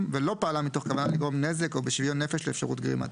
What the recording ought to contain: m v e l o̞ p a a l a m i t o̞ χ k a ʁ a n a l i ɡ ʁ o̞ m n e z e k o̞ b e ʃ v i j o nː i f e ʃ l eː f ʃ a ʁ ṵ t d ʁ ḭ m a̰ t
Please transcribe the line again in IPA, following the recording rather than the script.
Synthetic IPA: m v e l o̞ p a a l a m i t o̞ χ k a v a n a l i ɡ ʁ o̞ m n e z e k o̞ b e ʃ v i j o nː e f e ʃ l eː f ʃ a ʁ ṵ t ɡ ʁ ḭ m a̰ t